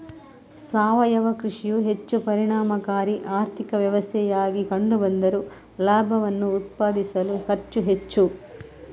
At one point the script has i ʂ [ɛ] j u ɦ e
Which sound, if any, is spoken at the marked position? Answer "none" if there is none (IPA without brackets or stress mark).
i